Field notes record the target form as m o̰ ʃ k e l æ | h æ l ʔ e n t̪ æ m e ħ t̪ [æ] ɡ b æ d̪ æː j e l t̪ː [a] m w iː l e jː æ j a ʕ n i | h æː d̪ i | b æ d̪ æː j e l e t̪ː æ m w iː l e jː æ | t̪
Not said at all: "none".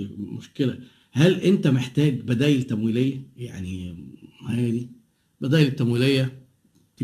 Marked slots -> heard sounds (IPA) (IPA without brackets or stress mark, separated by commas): æː, æ